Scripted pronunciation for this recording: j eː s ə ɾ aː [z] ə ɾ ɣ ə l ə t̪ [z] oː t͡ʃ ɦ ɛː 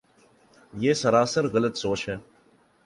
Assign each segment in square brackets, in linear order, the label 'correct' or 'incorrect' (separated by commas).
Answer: incorrect, incorrect